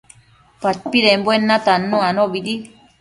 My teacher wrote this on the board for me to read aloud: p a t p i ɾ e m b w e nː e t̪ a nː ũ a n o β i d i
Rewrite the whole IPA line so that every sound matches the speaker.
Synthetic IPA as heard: p a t p i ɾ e m b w e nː a t̪ a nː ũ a n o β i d i

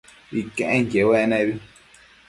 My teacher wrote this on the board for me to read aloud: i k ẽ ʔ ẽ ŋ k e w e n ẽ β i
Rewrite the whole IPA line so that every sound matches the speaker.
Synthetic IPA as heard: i k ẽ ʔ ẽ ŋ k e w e n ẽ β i

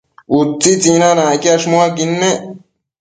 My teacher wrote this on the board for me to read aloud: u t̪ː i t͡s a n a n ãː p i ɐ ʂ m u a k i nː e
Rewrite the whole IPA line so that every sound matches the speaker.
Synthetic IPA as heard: u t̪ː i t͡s i n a n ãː k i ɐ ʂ m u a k i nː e

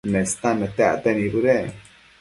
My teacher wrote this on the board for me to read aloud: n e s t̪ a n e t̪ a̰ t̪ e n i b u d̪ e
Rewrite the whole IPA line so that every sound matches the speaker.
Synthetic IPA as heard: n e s t̪ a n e t̪ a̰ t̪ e n i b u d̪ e

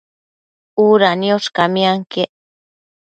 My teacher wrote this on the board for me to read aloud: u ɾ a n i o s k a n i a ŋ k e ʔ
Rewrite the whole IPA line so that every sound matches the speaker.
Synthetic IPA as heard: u ɾ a n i o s k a m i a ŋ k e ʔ

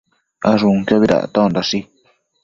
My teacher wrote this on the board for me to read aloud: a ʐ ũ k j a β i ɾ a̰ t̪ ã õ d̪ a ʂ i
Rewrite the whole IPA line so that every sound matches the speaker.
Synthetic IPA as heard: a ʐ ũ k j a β i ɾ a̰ t̪ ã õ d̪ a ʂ i

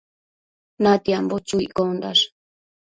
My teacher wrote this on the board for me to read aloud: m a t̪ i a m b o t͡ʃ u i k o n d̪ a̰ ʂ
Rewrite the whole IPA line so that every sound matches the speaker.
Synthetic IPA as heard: n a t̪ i a m b o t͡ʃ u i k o n d̪ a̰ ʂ

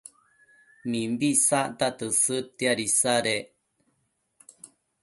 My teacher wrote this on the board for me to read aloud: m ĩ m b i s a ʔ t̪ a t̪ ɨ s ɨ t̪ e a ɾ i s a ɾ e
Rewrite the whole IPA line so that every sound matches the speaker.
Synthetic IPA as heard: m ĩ m b i s a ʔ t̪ a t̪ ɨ s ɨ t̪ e a ɾ i s a ɾ e

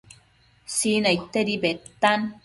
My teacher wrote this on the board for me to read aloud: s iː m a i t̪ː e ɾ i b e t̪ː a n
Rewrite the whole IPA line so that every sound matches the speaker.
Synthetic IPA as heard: s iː n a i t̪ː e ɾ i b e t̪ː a n

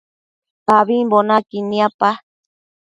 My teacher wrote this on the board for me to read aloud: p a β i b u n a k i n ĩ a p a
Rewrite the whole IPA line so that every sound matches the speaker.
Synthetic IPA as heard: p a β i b o n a k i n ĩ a p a

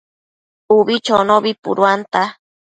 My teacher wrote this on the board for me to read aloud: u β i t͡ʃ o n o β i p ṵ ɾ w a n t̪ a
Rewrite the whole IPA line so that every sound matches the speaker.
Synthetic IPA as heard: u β i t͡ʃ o n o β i p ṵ ɾ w a n t̪ a

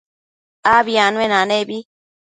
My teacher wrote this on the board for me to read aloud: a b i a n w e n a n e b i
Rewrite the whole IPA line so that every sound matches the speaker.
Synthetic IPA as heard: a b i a n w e n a n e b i

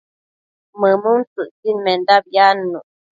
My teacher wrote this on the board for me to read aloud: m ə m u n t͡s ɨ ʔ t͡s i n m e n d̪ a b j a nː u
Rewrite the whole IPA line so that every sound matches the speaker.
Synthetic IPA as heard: m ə m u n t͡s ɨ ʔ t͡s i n m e n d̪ a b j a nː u

